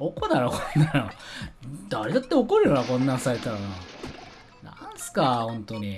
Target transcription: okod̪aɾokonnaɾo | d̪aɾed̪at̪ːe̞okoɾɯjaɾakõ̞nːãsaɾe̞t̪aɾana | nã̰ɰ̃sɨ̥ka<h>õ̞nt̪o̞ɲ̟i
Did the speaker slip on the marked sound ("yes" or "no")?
no